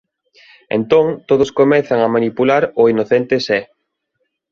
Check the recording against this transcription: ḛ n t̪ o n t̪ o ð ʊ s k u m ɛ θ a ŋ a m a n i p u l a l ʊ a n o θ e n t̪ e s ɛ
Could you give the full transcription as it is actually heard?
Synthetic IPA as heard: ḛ n t̪ o ŋ t̪ o ð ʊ s k o m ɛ θ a ŋ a m a n i p u l a ɾ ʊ i n o θ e n t̪ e s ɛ